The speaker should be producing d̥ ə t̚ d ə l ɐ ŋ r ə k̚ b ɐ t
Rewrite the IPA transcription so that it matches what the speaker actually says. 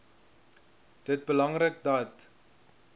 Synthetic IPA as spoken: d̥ ə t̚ b ə l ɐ ŋ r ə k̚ d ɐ t